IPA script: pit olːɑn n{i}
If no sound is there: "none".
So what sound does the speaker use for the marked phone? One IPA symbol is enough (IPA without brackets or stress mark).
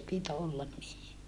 iː